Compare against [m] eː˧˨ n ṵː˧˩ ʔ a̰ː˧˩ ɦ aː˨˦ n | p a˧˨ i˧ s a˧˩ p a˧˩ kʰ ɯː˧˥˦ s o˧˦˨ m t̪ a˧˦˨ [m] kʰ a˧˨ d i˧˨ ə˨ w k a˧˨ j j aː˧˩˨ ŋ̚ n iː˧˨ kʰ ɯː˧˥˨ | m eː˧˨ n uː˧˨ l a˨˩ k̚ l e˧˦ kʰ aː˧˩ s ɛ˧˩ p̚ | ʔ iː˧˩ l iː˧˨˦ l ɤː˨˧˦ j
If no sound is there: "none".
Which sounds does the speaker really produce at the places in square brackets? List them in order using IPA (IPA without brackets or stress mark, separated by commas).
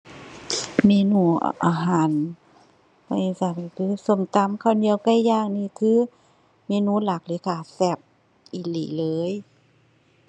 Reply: m, m